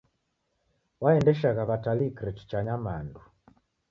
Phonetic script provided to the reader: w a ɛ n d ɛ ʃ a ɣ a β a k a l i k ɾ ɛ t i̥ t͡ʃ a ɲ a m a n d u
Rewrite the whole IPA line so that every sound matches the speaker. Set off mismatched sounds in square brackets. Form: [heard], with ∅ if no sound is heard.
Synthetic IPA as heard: w a ɛ n d ɛ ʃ a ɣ a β a [t] a l i k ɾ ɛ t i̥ t͡ʃ a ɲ a m a n d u